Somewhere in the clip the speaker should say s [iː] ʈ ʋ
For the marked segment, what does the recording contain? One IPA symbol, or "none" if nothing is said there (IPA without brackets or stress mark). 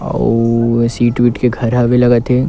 iː